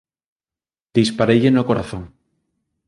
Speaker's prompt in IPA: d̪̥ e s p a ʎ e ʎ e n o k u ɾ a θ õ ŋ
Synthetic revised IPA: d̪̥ i s p a ɾ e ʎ e n o k o ɾ a θ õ ŋ